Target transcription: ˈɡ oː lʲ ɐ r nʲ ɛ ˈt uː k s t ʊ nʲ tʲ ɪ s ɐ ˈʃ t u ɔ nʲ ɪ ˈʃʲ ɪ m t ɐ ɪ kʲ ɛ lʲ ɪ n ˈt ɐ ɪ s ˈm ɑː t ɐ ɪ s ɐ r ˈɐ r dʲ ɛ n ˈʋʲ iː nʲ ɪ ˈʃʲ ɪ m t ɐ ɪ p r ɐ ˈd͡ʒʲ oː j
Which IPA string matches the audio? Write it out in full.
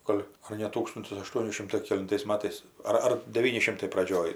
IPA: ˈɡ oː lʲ ɐ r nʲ ɛ ˈt uː k s t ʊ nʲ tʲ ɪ s ɐ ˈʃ t u ɔ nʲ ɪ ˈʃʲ ɪ m t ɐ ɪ kʲ ɛ lʲ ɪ n ˈt ɐ ɪ s ˈm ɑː t ɐ ɪ s ɐ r ˈɐ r dʲ ɛ ˈʋʲ iː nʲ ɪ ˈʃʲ ɪ m t ɐ ɪ p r ɐ ˈd͡ʒʲ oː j